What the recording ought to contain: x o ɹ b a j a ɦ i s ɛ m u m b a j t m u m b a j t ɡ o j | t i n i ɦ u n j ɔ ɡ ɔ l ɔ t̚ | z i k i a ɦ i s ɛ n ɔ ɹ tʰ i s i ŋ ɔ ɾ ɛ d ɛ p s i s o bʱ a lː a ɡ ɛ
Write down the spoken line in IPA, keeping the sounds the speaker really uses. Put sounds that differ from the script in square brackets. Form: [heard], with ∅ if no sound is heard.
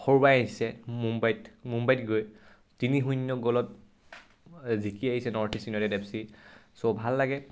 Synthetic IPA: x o ɹ b a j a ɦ i s ɛ m u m b a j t m u m b a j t ɡ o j | t i n i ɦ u n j ɔ ɡ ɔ l ɔ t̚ | z i k i a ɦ i s ɛ n ɔ ɹ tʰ i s i [n] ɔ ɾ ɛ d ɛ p s i s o bʱ a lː a ɡ ɛ